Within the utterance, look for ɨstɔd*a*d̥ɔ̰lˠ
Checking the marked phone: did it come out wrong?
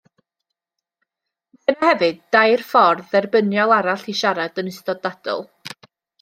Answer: no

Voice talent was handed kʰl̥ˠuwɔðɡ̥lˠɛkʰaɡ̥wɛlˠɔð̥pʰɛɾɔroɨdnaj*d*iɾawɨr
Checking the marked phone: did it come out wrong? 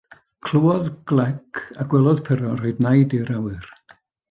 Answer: no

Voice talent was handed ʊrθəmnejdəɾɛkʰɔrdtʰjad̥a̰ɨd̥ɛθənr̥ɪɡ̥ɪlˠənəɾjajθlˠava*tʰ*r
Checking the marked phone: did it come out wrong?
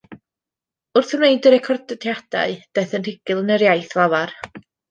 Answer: yes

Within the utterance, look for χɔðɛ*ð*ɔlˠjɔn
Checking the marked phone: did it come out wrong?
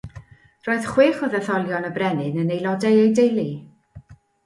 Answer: yes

